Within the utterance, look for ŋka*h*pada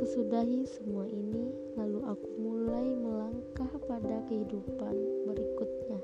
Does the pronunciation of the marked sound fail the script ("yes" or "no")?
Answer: no